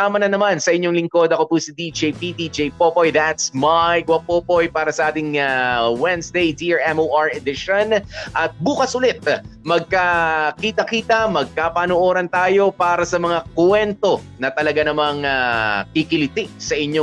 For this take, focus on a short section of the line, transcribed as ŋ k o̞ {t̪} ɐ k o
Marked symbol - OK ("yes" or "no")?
no